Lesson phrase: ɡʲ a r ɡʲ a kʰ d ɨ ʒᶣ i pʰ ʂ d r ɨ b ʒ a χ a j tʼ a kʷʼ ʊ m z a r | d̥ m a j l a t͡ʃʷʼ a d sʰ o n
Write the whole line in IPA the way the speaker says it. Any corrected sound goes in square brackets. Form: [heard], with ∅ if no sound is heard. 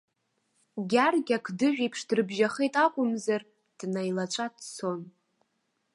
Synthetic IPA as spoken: ɡʲ a r ɡʲ a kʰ d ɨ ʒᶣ i pʰ ʂ d r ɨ b ʒ a χ [e] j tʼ a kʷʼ ʊ m z a r | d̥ [n] a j l a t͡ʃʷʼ a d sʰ o n